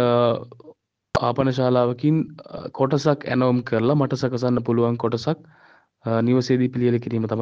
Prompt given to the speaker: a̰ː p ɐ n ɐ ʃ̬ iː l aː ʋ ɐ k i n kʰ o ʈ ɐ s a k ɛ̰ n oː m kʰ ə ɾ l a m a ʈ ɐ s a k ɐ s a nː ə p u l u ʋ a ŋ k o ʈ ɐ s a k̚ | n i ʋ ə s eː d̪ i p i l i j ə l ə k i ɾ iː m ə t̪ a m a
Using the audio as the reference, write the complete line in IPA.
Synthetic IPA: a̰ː p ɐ n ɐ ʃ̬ aː l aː ʋ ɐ k i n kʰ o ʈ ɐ s a k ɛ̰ n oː m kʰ ə ɾ l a m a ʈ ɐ s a k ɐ s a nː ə p u l u ʋ a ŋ k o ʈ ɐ s a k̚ | n i ʋ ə s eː d̪ i p i l i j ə l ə k i ɾ iː m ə t̪ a m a

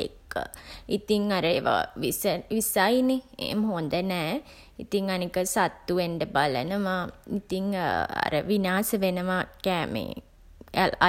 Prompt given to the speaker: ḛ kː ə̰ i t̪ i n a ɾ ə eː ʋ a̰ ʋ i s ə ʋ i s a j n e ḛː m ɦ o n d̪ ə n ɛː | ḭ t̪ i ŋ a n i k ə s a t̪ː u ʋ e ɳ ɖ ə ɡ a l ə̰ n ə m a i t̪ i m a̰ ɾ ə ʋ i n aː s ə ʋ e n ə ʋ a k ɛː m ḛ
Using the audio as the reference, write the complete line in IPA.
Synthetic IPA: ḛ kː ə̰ i t̪ i ŋ a ɾ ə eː ʋ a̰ ʋ i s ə ʋ i s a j n e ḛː m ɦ o n d̪ ə n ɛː | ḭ t̪ i ŋ a n i k ə s a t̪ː u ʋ e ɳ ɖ ə b a l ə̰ n ə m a i t̪ i ŋ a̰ ɾ ə ʋ i n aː s ə ʋ e n ə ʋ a k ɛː m ḛ

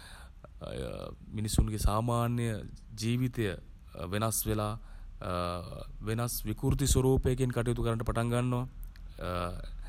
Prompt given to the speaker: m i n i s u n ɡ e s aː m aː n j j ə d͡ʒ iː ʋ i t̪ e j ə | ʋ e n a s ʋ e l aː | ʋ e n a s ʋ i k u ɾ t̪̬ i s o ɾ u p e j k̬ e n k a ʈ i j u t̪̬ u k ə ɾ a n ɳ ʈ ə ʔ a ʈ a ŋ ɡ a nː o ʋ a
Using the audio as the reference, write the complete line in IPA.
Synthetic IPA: m i n i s u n ɡ e s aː m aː n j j ə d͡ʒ iː ʋ i t̪ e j ə | ʋ e n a s ʋ e l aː | ʋ e n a s ʋ i k u ɾ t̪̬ i s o ɾ uː p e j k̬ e n k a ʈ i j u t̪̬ u k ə ɾ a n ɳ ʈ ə p a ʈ a ŋ ɡ a nː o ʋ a

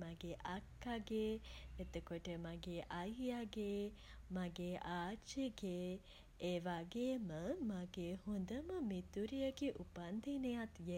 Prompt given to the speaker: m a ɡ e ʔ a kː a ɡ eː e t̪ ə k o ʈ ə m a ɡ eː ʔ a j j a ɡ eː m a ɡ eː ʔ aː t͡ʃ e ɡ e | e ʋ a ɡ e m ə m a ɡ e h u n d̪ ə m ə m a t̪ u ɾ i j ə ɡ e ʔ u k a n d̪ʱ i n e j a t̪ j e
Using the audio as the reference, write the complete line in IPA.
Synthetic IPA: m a ɡ e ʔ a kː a ɡ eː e t̪ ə k o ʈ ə m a ɡ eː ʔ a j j a ɡ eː m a ɡ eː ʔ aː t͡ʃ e ɡ e | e ʋ a ɡ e m ə m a ɡ e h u n d̪ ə m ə m i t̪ u ɾ i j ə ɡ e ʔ u p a n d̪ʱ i n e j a t̪ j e

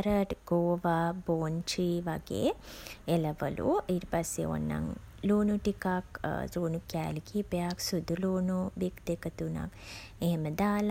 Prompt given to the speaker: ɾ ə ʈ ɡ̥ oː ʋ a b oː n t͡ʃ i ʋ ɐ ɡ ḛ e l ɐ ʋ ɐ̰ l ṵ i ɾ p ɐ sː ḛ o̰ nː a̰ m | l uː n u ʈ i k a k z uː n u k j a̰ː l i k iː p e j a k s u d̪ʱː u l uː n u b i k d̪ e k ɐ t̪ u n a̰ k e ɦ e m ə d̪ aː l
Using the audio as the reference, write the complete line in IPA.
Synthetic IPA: ɾ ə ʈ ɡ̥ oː ʋ a b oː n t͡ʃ i ʋ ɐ ɡ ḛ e l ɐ ʋ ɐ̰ l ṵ i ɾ p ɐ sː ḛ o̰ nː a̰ ŋ | l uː n u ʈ i k a k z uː n u k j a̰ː l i k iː p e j a k s u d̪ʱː u l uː n u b i k d̪ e k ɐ t̪ u n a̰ k e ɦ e m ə d̪ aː l

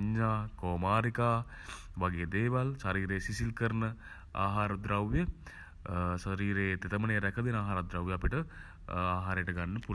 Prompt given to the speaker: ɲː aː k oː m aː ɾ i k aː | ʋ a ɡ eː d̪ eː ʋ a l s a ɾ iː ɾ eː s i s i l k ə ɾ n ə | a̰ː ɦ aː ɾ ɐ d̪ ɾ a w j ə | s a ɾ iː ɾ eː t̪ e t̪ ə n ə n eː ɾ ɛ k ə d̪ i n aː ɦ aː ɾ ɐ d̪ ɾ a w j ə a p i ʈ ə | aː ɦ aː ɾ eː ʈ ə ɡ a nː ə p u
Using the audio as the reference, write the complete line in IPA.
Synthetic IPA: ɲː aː k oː m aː ɾ i k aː | ʋ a ɡ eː d̪ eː ʋ a l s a ɾ iː ɾ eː s i s i l k ə ɾ n ə | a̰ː ɦ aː ɾ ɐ d̪ ɾ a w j ə | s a ɾ iː ɾ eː t̪ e t̪ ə m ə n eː ɾ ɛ k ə d̪ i n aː ɦ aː ɾ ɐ d̪ ɾ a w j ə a p i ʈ ə | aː ɦ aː ɾ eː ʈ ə ɡ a nː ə p u

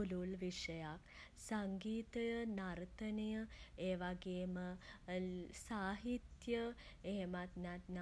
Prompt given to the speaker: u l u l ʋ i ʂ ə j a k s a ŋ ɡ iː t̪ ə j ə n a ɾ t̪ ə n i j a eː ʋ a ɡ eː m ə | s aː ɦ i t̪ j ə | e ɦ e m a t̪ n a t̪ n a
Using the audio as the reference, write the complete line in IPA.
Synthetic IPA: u l u l ʋ i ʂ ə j a k s a ŋ ɡ iː t̪ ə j ə n a ɾ t̪ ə n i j ə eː ʋ a ɡ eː m ə | s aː ɦ i t̪ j ə | e ɦ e m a t̪ n a t̪ n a

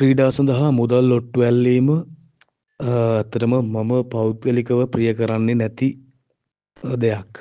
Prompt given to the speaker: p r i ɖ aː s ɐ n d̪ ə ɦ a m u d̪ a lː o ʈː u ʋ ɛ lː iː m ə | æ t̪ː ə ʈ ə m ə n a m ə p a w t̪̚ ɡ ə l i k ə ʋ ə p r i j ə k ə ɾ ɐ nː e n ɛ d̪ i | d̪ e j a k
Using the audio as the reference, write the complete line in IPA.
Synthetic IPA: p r iː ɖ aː s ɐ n d̪ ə ɦ a m u d̪ a lː o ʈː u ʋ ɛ lː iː m ə | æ t̪ː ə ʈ ə m ə m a m ə p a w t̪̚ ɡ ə l i k ə ʋ ə p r i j ə k ə ɾ a nː e n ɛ t̪ i | d̪ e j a k

